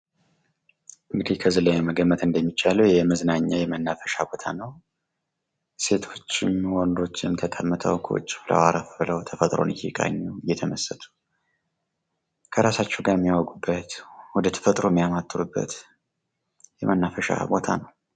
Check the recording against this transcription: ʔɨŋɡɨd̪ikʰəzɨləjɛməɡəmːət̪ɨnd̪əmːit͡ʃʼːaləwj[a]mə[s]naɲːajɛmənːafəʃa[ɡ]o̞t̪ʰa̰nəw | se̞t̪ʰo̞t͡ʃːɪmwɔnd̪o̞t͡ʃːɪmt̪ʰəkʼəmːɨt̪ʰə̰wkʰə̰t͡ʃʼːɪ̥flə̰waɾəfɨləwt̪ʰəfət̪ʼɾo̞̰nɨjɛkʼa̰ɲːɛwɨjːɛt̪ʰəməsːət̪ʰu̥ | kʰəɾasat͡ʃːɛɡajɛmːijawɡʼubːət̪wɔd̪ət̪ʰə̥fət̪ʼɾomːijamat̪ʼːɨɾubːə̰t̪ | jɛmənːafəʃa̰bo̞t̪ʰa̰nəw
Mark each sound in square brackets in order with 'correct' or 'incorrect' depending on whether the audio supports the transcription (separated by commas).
incorrect, incorrect, incorrect